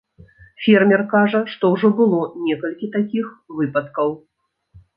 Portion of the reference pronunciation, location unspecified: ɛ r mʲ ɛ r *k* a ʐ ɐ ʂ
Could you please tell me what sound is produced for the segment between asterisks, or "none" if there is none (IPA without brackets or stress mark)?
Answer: k